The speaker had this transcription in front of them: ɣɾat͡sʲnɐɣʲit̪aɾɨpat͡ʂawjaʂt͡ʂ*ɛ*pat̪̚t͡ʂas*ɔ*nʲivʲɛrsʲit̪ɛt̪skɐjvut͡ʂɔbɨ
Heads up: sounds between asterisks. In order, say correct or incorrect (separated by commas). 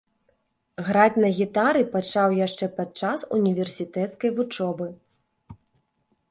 correct, incorrect